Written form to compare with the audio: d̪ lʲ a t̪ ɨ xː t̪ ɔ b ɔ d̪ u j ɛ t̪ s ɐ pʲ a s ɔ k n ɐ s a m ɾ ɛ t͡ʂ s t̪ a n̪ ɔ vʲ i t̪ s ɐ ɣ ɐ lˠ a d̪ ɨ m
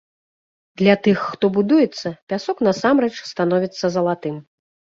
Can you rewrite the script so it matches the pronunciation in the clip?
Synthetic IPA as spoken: d̪ lʲ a t̪ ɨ xː t̪ ɔ b u d̪ u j ɛ t̪ sː ɐ pʲ a s ɔ k n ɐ s a m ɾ ɛ t͡ʂ s t̪ a n̪ ɔ vʲ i t̪ sː ɐ z ɐ lˠ a t̪ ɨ m